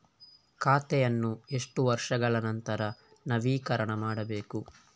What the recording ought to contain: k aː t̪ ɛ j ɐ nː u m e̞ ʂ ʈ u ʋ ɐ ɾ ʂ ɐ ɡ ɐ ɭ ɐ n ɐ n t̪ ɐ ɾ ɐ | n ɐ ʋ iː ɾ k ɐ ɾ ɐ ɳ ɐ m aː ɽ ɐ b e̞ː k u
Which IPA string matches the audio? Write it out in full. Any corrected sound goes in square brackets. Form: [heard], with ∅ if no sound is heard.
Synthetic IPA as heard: k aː t̪ ɛ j ɐ nː u [∅] e̞ ʂ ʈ u ʋ ɐ ɾ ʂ ɐ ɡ ɐ ɭ ɐ n ɐ n t̪ ɐ ɾ ɐ | n ɐ ʋ iː [∅] k ɐ ɾ ɐ ɳ ɐ m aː ɽ ɐ b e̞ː k u